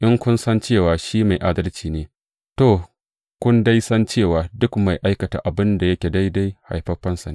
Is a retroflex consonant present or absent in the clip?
absent